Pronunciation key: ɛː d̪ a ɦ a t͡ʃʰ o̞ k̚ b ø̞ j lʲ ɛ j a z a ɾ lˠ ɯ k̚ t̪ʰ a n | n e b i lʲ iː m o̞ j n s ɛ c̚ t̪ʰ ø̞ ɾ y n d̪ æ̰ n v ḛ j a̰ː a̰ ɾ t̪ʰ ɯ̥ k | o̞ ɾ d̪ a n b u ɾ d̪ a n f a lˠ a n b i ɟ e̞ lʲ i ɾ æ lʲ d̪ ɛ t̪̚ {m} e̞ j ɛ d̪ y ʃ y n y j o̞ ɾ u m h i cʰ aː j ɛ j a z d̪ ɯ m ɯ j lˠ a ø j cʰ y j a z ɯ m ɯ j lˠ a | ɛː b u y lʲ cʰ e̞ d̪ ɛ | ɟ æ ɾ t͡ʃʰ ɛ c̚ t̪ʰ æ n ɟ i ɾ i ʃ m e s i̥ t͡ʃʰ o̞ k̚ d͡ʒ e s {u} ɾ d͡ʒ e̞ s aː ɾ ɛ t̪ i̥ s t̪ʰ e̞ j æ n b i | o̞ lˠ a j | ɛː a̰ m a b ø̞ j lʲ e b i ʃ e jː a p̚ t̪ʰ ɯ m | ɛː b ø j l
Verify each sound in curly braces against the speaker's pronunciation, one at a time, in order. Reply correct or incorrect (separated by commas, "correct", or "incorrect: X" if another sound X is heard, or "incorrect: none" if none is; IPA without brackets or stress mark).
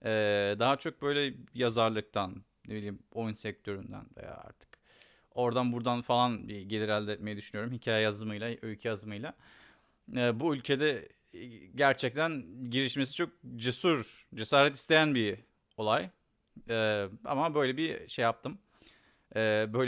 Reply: correct, correct